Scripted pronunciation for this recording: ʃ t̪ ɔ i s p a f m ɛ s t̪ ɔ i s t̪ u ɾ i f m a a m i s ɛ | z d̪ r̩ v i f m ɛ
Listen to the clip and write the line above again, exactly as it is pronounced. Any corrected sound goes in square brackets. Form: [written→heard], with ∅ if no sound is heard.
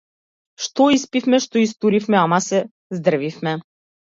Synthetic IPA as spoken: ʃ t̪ ɔ i s p [a→i] f m ɛ [s→ʃ] t̪ ɔ i s t̪ u ɾ i f m [a→ɛ] a m [i→a] s ɛ | z d̪ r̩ v i f m ɛ